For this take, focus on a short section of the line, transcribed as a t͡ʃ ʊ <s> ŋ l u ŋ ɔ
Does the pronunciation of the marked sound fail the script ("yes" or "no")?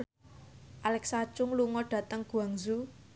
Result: yes